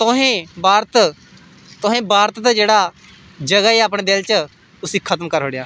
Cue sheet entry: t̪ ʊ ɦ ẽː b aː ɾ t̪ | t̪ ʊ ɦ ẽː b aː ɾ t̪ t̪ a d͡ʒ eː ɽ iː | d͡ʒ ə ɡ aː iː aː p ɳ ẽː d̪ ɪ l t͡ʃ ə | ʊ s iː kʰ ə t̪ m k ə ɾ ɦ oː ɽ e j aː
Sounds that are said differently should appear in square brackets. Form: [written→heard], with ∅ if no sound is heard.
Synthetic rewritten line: t̪ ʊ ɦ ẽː b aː ɾ t̪ | t̪ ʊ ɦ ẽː b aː ɾ t̪ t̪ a d͡ʒ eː ɽ [iː→aː] | d͡ʒ ə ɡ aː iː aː p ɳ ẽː d̪ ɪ l t͡ʃ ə | ʊ s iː kʰ ə t̪ m k ə ɾ ɦ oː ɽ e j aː